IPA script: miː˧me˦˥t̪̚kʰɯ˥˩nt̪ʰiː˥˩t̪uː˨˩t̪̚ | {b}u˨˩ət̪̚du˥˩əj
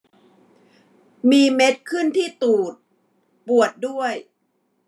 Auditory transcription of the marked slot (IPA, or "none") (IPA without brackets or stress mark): p